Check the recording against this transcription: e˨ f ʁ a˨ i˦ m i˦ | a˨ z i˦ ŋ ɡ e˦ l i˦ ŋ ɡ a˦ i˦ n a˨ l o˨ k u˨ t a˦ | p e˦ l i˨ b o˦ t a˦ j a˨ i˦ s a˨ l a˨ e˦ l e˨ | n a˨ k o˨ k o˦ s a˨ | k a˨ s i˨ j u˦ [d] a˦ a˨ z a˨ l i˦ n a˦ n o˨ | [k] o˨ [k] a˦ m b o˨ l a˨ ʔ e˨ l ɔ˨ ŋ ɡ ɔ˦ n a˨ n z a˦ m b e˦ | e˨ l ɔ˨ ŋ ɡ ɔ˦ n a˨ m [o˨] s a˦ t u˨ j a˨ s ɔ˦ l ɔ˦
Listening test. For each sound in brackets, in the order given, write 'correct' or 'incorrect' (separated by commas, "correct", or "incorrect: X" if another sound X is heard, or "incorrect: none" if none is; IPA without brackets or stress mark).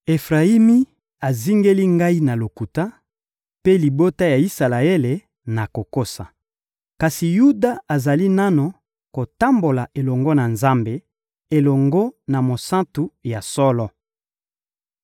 correct, correct, incorrect: t, correct